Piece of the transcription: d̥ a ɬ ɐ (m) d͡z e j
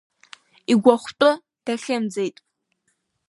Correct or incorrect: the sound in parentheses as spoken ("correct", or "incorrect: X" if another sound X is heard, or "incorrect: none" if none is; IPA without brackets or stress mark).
correct